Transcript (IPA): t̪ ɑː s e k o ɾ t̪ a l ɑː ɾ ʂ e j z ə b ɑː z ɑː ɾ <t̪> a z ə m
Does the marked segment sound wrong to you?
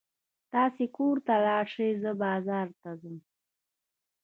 no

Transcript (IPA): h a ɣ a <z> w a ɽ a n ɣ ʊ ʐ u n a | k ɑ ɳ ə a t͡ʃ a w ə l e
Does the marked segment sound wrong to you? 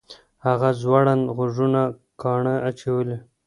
no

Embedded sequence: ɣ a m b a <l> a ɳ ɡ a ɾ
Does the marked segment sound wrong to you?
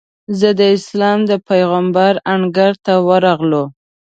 yes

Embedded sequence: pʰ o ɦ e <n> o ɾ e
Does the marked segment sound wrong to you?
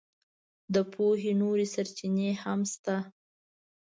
no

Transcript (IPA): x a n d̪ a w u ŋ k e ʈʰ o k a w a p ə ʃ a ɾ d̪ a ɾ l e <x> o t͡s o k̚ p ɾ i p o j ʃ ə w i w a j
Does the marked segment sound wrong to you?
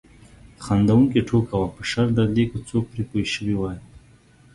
yes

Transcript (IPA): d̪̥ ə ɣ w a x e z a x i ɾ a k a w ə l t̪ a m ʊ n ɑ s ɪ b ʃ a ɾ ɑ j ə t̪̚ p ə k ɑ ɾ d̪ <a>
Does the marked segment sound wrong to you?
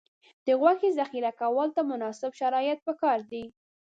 yes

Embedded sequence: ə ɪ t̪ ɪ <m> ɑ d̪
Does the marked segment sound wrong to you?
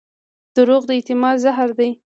no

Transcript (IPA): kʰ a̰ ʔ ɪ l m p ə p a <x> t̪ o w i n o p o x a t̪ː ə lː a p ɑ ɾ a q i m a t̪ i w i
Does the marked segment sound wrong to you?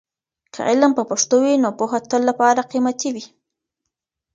yes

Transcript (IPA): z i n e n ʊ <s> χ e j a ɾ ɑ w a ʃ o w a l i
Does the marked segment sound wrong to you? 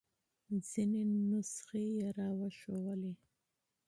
no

